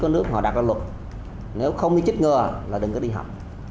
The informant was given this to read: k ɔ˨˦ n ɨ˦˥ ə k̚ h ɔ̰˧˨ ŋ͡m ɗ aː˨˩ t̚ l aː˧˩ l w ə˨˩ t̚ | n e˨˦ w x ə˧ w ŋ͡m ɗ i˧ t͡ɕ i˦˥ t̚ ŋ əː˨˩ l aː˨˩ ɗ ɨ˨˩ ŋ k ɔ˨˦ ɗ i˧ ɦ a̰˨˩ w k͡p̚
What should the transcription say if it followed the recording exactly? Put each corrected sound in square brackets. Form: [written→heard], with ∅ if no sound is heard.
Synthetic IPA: k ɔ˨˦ n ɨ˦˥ ə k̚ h ɔ̰˧˨ [ŋ͡m→∅] ɗ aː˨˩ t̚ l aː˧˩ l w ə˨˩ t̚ | n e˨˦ w x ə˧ w ŋ͡m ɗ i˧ t͡ɕ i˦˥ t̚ ŋ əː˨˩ l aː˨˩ ɗ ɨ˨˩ ŋ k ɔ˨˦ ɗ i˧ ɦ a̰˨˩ w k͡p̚

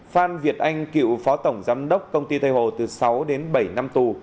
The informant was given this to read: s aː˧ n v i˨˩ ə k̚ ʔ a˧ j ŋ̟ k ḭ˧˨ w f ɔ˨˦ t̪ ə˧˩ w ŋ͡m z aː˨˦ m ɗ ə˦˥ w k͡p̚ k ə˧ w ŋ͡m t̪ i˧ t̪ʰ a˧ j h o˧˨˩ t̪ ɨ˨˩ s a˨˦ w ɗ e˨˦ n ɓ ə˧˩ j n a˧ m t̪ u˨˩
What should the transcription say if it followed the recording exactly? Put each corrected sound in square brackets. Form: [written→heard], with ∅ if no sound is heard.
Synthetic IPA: [s→f] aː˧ n v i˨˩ ə [k̚→t̚] ʔ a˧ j ŋ̟ k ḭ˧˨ w f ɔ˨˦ t̪ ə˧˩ w ŋ͡m z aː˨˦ m ɗ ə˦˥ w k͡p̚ k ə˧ w ŋ͡m t̪ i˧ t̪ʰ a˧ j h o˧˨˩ t̪ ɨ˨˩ s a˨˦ w ɗ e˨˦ n ɓ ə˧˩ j n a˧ m t̪ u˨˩

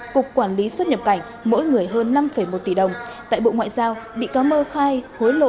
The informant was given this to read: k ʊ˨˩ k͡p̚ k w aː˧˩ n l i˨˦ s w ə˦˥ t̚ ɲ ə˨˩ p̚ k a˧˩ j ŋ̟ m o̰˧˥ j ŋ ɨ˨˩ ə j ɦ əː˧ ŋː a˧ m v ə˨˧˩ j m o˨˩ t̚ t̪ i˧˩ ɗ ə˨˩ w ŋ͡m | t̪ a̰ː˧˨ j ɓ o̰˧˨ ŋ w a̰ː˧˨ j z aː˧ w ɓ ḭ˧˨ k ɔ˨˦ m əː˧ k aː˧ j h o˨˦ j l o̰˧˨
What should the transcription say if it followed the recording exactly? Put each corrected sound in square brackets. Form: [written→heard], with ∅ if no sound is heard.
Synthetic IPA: k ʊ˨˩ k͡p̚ k w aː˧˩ n l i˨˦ s w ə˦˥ t̚ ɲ ə˨˩ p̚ k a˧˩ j ŋ̟ m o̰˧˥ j ŋ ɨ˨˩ ə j ɦ əː˧ [ŋː→nː] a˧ m [v→f] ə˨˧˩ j m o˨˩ t̚ t̪ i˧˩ ɗ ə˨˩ w ŋ͡m | t̪ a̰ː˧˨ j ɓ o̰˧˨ ŋ w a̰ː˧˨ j z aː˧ w ɓ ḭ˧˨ k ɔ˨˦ m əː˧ [k→x] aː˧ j h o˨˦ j l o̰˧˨

